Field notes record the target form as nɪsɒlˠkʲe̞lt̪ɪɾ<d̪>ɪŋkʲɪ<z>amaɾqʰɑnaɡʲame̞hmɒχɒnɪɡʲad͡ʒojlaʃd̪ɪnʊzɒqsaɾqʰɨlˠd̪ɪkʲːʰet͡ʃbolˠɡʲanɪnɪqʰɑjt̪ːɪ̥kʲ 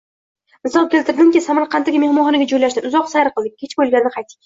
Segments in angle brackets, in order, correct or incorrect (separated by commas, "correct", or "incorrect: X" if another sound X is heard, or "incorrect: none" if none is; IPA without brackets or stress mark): correct, incorrect: s